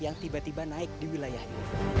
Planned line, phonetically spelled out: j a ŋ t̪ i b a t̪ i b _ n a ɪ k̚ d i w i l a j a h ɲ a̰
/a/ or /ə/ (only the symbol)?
a